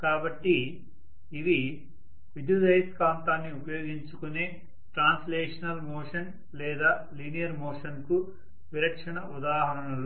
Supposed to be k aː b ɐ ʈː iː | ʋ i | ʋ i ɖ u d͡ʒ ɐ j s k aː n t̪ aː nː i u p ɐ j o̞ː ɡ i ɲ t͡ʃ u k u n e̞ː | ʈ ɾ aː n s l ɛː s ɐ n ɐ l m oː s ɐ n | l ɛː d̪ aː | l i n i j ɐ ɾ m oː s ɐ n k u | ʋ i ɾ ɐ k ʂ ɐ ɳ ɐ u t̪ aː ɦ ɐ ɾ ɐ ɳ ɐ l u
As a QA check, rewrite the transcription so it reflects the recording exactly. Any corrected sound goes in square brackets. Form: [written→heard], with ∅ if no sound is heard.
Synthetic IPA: k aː b ɐ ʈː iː | ʋ i | ʋ i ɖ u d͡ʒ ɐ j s k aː n t̪ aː nː i u p ɐ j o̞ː ɡ i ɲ t͡ʃ u k u n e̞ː | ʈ ɾ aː n s l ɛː [s→ʂ] ɐ n ɐ l m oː [s→ʂ] ɐ n | l ɛː d̪ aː | l i n i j ɐ ɾ m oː [s→ʂ] ɐ n k u | ʋ i ɾ ɐ k ʂ ɐ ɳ ɐ u [t̪→d̪] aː ɦ ɐ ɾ ɐ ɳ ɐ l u